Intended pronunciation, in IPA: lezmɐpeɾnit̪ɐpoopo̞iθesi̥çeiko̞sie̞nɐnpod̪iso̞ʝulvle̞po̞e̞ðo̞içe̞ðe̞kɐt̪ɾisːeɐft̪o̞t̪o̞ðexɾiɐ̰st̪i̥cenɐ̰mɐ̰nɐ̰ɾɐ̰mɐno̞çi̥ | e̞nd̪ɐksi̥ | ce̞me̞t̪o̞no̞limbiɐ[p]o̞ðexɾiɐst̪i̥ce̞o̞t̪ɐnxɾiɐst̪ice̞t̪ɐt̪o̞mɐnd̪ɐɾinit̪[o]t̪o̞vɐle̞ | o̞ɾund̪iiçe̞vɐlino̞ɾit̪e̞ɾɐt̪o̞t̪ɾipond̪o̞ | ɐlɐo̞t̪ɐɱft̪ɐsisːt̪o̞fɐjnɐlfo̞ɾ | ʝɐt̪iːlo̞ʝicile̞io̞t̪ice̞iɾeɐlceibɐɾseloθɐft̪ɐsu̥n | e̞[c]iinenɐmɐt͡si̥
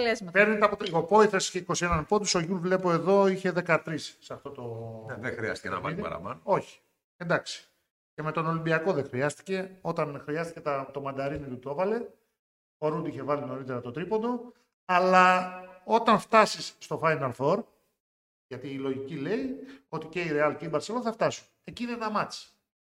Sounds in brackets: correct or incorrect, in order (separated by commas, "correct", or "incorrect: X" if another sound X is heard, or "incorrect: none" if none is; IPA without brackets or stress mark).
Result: incorrect: k, incorrect: u, correct